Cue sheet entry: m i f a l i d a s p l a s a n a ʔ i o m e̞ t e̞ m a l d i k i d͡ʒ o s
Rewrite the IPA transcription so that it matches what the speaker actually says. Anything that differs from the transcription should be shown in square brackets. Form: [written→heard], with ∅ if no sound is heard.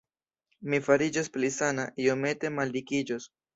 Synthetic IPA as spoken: m i f a [l→ɾ] i [d→d͡ʒ] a s p l [a→i] s a n a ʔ i o m e̞ t e̞ m a l d i k i d͡ʒ o s